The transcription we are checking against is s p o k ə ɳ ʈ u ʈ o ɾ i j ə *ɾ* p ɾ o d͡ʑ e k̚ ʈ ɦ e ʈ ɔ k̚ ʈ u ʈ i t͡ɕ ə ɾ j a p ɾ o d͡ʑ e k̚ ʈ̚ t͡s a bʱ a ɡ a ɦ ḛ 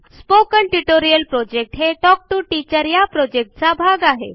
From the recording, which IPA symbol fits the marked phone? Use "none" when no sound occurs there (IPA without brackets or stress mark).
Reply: l